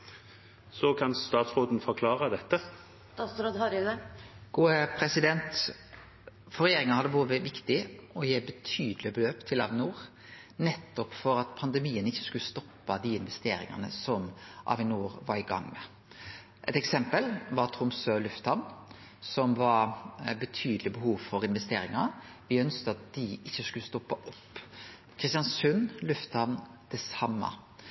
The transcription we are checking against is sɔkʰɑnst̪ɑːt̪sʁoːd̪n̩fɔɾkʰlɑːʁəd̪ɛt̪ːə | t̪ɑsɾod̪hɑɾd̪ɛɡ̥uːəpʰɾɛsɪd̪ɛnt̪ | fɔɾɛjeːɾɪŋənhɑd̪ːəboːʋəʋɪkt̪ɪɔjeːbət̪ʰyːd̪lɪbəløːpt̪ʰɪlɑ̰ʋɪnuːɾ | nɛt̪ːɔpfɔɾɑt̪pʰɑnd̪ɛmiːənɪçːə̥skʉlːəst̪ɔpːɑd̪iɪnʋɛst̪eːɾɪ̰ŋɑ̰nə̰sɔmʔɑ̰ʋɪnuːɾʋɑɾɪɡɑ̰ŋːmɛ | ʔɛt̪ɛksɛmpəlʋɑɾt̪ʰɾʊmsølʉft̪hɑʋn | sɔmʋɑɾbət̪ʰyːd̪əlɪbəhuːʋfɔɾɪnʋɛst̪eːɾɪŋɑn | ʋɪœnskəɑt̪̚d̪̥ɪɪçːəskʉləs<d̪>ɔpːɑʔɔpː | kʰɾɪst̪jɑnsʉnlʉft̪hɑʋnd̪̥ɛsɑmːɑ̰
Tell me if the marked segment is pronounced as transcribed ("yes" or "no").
no